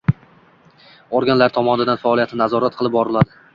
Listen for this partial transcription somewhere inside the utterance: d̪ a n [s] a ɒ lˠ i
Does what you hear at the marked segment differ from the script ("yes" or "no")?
yes